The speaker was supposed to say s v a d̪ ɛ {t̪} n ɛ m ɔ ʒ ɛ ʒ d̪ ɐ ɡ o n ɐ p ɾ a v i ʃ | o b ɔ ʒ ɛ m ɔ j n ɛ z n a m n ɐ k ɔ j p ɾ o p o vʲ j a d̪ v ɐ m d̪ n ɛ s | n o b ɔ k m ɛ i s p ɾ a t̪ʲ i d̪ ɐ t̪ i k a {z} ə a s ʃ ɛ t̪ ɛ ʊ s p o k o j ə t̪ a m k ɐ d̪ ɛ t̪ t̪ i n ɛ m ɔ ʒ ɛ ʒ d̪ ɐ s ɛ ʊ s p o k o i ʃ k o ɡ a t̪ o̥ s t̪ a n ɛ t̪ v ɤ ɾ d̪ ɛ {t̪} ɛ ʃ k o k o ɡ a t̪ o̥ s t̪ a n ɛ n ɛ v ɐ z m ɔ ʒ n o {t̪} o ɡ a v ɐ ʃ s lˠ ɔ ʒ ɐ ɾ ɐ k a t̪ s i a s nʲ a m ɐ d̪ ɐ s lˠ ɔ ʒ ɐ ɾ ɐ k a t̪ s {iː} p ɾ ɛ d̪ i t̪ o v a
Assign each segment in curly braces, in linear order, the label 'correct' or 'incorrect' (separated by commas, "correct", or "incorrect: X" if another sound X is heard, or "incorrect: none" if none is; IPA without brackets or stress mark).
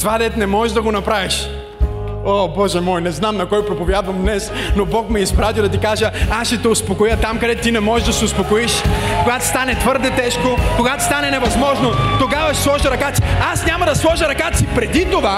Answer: correct, incorrect: ʒ, correct, correct, incorrect: i